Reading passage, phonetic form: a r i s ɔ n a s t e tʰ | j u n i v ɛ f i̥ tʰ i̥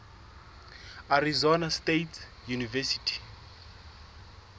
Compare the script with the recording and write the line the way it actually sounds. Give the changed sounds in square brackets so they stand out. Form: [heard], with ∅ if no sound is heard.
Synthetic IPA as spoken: a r i [z] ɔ n a s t e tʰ | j u n i v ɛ [s] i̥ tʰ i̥

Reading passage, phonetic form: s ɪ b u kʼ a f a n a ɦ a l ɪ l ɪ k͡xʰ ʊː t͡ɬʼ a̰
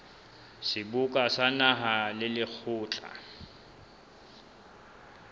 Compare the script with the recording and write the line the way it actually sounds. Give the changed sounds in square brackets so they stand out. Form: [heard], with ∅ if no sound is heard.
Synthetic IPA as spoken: s ɪ b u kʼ a [s] a n a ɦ a l ɪ l ɪ k͡xʰ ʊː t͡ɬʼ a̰

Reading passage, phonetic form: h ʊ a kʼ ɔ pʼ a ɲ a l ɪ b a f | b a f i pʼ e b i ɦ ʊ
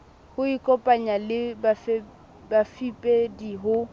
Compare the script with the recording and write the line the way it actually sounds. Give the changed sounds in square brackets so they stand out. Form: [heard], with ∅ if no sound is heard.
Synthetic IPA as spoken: h ʊ [i] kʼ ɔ pʼ a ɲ a l ɪ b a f | b a f i pʼ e [d] i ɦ ʊ

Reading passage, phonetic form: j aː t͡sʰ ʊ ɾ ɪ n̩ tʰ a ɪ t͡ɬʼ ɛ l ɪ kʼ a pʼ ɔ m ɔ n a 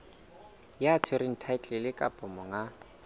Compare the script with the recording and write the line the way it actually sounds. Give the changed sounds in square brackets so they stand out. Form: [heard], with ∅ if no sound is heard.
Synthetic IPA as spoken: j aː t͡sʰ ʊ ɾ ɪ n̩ tʰ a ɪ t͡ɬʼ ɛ l ɪ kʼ a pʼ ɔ m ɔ [ŋ] a

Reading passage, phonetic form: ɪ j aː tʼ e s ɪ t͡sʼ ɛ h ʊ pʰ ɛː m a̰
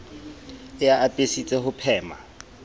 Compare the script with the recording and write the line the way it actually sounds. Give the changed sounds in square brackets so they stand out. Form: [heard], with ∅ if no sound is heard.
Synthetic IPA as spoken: ɪ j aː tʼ e s [i] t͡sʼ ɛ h ʊ pʰ ɛː m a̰

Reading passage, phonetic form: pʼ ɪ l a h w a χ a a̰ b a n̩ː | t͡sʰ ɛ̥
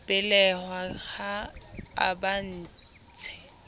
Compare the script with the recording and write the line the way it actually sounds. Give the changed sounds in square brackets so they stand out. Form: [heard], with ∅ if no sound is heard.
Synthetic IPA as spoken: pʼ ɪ l [ɛ] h w a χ a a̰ b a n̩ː | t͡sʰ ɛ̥

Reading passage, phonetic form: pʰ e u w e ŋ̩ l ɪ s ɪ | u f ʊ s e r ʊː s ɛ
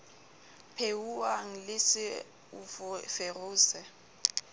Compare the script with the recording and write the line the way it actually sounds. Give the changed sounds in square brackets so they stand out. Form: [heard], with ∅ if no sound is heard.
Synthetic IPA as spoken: pʰ e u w [a] ŋ̩ l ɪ s ɪ | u f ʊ [f] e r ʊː s ɛ

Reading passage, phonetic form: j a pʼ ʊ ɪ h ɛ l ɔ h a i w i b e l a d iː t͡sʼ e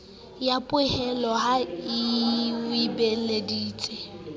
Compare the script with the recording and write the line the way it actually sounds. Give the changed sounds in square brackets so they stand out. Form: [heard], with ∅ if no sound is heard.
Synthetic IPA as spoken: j a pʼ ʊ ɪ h ɛ l ɔ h a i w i b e l [e] d iː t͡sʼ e

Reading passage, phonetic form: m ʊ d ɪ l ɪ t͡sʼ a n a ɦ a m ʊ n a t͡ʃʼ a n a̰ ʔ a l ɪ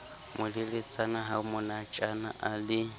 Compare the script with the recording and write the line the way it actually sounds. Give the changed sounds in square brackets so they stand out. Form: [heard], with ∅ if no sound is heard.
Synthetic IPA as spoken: m ʊ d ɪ l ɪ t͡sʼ a n a ɦ a m ʊ n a t͡ʃʼ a n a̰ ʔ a l ɪ

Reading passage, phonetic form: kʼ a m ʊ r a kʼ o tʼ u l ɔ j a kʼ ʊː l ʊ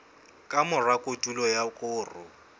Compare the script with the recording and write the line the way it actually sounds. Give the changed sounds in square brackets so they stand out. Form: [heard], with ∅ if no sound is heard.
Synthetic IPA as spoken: kʼ a m ʊ r a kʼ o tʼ u l ɔ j a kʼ ʊː [r] ʊ

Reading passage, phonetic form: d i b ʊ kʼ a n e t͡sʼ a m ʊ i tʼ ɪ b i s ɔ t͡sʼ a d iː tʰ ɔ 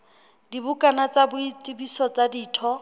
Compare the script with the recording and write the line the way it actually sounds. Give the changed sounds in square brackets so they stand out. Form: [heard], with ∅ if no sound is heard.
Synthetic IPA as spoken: d i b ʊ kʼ a n [a] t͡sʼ a [b] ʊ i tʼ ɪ b i s ɔ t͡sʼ a d iː tʰ ɔ

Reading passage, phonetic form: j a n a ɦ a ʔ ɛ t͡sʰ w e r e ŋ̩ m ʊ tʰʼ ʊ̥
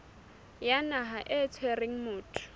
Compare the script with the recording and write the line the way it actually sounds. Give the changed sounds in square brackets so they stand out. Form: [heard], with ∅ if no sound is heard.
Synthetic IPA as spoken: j a n a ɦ a ʔ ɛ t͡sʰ w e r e ŋ̩ m [ʊː] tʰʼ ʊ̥

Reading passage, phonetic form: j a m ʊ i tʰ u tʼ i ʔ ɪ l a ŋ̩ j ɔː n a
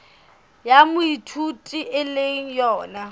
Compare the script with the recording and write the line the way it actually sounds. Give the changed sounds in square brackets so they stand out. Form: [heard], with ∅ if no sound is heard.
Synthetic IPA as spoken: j a m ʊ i tʰ u tʼ i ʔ ɪ l [e] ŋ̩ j ɔː n a

